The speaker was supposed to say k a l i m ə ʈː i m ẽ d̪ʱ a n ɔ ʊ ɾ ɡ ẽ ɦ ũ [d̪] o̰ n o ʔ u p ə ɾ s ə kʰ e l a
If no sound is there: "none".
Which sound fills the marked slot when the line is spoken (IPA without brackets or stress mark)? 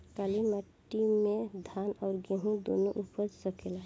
d̪